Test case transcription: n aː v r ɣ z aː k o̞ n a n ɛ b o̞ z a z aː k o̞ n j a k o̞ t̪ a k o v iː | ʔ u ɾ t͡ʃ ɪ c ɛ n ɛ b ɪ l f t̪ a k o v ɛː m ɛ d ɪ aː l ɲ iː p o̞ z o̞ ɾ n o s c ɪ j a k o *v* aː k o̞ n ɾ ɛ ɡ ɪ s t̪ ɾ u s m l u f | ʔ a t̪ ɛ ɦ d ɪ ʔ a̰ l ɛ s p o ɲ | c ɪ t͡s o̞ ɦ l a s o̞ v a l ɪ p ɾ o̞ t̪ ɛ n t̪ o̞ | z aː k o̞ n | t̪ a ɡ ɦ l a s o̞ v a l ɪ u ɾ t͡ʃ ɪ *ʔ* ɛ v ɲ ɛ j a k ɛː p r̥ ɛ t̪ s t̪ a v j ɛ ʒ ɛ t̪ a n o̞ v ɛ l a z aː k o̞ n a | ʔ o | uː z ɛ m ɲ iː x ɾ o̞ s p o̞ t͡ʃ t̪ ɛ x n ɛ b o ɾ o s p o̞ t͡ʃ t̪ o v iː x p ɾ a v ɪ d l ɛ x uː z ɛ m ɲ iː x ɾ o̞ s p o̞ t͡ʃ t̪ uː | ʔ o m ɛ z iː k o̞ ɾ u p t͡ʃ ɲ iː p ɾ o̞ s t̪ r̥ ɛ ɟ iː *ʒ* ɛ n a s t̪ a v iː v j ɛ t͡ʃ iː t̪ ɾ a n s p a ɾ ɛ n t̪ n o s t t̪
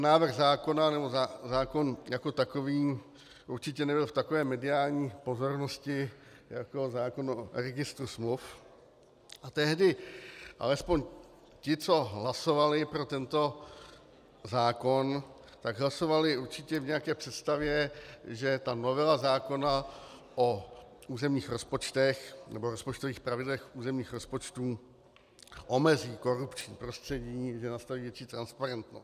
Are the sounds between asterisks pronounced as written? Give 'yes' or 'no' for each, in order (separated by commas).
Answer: no, no, yes